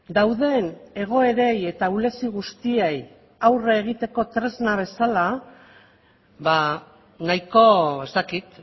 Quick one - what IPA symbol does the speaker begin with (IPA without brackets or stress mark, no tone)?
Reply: d̪